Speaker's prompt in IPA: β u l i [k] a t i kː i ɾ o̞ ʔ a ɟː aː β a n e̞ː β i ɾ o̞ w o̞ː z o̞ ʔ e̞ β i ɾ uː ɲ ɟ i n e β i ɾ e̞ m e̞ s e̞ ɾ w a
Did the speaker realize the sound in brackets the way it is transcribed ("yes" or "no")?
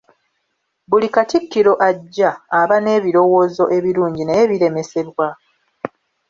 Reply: yes